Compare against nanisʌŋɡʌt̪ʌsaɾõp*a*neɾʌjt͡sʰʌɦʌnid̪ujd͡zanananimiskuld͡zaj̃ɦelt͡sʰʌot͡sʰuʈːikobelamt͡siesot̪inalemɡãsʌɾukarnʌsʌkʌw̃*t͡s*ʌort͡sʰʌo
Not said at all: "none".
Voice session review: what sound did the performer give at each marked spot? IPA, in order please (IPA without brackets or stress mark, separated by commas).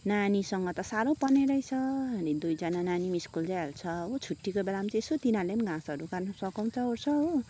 ʌ, t͡sʰ